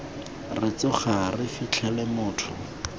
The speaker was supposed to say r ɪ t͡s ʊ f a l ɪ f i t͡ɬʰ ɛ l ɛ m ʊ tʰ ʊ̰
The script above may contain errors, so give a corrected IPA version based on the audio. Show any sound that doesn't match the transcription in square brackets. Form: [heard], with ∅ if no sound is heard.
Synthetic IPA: r ɪ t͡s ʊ [χ] a [r] ɪ f i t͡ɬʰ ɛ l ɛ m [ʊː] tʰ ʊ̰